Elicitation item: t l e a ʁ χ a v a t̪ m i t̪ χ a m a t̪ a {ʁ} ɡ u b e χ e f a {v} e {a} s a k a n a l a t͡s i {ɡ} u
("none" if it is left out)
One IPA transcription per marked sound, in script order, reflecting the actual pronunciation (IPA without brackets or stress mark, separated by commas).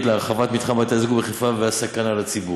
z, v, a, b